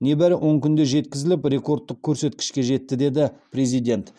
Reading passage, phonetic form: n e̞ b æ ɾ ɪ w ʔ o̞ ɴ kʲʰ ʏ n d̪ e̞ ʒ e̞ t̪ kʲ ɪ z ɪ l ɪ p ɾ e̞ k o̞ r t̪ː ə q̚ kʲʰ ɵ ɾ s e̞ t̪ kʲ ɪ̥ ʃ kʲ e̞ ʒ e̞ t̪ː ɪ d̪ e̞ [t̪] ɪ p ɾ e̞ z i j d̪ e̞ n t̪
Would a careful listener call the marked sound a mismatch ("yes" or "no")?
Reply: yes